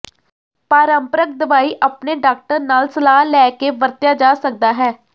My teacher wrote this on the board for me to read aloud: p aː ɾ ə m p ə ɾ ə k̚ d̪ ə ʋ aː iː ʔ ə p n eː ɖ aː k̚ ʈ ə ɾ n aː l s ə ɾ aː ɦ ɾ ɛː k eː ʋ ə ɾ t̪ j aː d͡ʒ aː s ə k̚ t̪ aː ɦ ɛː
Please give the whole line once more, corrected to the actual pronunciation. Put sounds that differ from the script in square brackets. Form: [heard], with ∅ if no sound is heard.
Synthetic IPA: p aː ɾ ə m p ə ɾ ə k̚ d̪ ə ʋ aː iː ʔ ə p n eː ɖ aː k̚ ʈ ə ɾ n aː l s ə [l] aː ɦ [l] ɛː k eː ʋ ə ɾ t̪ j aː d͡ʒ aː s ə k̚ [d̪] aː ɦ ɛː